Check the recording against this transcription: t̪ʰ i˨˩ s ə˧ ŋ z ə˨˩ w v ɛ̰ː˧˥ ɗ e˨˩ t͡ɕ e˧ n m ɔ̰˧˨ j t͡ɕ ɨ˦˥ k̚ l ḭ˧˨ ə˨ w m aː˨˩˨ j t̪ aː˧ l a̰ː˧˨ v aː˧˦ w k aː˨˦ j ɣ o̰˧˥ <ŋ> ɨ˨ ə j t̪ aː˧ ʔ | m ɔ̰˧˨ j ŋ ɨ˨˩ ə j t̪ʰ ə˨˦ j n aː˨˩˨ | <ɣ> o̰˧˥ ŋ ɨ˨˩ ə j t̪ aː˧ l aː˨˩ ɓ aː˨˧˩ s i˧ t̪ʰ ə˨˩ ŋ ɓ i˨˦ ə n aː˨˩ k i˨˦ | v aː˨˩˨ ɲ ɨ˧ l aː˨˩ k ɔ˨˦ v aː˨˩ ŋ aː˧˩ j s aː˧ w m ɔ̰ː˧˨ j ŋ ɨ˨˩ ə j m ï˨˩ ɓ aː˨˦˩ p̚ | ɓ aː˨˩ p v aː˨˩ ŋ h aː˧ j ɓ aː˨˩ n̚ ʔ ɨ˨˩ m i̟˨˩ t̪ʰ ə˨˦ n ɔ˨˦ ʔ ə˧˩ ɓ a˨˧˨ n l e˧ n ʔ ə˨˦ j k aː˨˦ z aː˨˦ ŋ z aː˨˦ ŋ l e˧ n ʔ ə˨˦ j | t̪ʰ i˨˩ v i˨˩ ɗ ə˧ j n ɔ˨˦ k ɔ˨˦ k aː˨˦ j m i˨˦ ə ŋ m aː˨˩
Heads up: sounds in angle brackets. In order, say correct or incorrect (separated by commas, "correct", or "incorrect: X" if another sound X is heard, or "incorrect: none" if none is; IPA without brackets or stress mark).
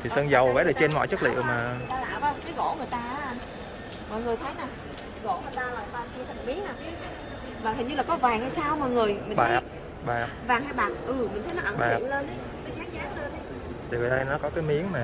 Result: correct, correct